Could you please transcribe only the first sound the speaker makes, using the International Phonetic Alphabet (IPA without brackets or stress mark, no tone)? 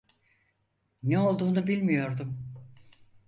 n